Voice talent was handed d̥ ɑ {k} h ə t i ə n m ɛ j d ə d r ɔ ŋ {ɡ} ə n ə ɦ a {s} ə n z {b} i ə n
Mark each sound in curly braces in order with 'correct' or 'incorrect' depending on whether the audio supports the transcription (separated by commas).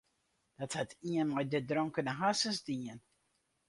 incorrect, incorrect, correct, incorrect